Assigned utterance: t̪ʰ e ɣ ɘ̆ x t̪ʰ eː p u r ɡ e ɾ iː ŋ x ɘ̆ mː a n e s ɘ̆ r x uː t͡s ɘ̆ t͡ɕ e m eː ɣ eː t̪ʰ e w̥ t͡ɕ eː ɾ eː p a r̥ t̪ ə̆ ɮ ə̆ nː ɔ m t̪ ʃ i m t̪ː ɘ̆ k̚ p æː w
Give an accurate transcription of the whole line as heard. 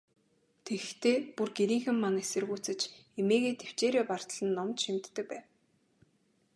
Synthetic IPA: t̪ʰ e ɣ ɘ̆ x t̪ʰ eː p u r ɡ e ɾ iː ŋ x ɘ̆ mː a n e s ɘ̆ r ɣ uː t͡s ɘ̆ t͡ɕ e m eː ɣ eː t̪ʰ e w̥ t͡ɕ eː ɾ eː p a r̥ t̪ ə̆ ɮ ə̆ nː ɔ m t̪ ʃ i m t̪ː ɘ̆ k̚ p æː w